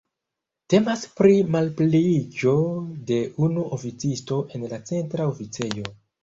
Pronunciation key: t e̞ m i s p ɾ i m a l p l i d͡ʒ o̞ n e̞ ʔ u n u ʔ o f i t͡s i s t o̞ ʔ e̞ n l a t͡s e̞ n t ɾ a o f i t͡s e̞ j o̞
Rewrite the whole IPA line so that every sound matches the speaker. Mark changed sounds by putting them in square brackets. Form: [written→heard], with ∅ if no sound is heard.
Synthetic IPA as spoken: t e̞ m [i→a] s p ɾ i m a l p l i d͡ʒ o̞ [n→d] e̞ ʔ u n u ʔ o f i t͡s i s t o̞ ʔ e̞ n l a t͡s e̞ n t ɾ a o f i t͡s e̞ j o̞